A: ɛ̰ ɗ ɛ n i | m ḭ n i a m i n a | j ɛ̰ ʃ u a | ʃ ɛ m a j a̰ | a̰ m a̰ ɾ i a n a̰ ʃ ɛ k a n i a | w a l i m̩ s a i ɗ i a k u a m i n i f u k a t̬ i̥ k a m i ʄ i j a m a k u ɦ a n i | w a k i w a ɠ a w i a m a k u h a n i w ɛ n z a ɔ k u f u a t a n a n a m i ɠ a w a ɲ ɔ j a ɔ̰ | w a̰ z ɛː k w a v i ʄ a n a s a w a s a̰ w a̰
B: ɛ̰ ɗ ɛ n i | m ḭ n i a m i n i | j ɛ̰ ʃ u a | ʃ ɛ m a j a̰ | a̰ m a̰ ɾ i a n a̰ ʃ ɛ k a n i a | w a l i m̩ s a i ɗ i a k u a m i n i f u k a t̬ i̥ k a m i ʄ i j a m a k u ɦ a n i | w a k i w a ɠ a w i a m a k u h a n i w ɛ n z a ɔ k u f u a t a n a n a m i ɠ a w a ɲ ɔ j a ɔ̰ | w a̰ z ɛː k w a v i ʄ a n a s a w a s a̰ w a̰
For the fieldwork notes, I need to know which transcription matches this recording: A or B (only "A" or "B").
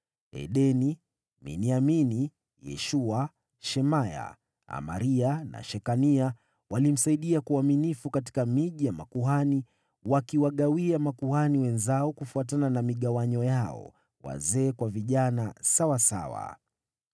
B